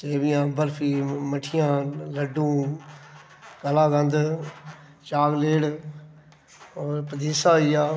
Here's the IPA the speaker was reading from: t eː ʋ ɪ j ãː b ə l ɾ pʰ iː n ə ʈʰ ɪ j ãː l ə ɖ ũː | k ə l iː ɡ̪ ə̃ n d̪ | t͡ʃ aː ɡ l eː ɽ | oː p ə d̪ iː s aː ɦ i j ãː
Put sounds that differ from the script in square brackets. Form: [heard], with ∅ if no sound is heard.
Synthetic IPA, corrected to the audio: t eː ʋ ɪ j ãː b ə [∅] ɾ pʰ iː [m] ə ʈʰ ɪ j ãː l ə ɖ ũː | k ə l [aː] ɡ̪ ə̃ n d̪ | t͡ʃ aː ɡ l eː ɽ | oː p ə d̪ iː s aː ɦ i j [aː]